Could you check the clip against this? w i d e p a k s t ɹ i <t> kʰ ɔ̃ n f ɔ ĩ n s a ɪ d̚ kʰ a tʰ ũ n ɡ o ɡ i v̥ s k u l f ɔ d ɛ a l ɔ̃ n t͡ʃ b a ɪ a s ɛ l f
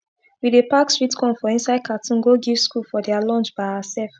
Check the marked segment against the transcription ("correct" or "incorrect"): correct